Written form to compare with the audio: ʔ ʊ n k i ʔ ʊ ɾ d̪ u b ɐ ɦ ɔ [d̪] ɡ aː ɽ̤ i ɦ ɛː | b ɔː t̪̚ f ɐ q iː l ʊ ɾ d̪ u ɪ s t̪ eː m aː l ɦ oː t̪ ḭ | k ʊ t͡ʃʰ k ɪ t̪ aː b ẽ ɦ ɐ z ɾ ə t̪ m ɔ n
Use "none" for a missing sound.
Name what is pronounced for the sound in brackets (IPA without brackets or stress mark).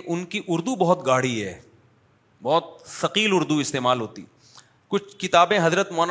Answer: t̪